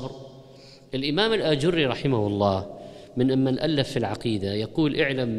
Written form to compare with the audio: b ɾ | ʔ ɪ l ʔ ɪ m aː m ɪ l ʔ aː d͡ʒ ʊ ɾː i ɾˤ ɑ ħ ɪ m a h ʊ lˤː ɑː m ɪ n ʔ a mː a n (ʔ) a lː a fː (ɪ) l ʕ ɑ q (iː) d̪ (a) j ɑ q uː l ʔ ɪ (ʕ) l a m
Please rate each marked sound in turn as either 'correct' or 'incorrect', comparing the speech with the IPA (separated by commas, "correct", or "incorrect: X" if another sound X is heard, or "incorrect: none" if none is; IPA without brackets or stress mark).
correct, incorrect: i, correct, correct, correct